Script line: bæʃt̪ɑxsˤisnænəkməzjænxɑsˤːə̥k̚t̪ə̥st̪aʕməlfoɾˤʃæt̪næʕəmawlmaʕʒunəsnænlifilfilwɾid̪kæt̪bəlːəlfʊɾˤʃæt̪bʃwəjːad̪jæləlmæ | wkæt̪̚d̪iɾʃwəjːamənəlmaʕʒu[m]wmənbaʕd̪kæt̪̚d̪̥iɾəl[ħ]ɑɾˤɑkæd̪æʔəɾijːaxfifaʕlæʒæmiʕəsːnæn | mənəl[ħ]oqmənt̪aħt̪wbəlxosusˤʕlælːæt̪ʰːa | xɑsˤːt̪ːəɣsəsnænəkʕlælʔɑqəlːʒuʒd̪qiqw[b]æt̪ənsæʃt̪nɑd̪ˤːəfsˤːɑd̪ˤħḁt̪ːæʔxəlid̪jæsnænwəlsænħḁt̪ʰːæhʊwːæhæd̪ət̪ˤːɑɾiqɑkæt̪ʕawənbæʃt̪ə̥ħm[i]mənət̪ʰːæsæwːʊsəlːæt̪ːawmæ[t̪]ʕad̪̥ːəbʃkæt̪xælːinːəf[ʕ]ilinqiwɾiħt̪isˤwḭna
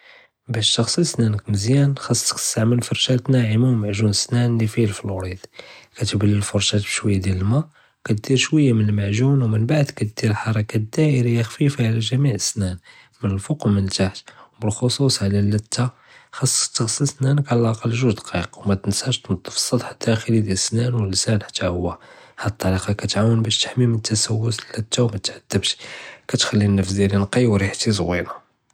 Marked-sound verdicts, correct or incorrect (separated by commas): incorrect, correct, incorrect, incorrect, correct, correct, incorrect